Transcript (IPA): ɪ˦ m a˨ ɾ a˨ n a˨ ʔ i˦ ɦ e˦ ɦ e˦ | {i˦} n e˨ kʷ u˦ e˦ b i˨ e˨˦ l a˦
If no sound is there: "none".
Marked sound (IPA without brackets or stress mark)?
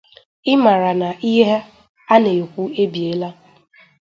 a˦